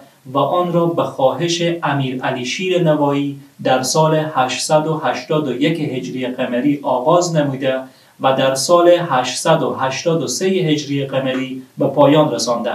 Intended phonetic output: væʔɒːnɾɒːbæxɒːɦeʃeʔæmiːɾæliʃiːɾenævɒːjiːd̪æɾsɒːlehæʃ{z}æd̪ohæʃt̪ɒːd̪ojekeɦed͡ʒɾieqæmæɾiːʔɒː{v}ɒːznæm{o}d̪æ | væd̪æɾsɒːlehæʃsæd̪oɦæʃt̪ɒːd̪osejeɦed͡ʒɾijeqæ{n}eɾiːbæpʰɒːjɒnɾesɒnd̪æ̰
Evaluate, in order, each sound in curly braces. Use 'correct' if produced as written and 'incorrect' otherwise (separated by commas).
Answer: incorrect, incorrect, incorrect, incorrect